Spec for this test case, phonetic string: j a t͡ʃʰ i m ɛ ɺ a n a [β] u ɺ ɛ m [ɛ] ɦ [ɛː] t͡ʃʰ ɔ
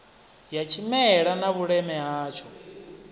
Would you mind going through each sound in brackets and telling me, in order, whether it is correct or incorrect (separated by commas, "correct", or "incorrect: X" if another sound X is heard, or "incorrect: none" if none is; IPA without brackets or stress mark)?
correct, correct, incorrect: aː